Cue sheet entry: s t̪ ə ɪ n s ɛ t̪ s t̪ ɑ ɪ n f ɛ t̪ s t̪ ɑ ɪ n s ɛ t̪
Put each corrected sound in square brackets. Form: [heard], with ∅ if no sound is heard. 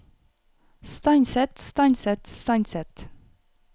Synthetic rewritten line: s t̪ [ɑ] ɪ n s ɛ t̪ s t̪ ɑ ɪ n [s] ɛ t̪ s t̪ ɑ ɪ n s ɛ t̪